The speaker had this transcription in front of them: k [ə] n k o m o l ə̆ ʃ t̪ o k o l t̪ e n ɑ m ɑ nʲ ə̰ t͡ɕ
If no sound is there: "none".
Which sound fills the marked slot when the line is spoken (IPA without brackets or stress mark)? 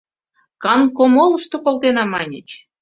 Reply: ɑ